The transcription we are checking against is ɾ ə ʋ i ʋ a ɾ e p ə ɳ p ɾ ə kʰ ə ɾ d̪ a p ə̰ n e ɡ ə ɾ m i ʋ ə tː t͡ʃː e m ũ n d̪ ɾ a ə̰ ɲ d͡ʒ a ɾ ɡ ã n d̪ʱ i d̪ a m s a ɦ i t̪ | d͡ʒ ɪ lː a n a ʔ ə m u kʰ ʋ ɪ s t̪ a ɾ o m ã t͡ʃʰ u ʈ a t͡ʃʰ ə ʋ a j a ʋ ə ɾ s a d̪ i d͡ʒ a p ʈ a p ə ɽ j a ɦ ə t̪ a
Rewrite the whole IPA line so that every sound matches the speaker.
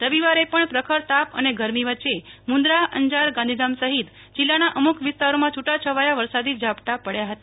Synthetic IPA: ɾ ə ʋ i ʋ a ɾ e p ə ɳ p ɾ ə kʰ ə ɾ t̪ a p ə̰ n e ɡ ə ɾ m i ʋ ə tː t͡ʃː e m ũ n d̪ ɾ a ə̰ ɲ d͡ʒ a ɾ ɡ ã n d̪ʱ i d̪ a m s ə ɦ i t̪ | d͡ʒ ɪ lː a n a ʔ ə m u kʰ ʋ ɪ s t̪ a ɾ o m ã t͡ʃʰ u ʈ a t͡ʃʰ ə ʋ a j a ʋ ə ɾ s a d̪ i d͡ʒ a p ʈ a p ə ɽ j a ɦ ə t̪ a